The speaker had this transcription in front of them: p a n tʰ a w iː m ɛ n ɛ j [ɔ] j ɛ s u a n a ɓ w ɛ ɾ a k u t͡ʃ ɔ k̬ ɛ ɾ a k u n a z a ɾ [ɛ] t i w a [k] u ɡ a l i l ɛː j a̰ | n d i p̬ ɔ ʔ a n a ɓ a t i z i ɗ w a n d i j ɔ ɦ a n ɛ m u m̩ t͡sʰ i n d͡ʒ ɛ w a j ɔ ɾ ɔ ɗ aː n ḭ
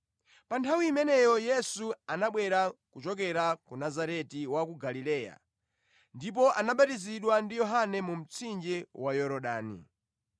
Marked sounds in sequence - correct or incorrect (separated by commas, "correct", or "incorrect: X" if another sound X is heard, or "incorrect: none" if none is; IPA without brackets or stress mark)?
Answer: correct, correct, correct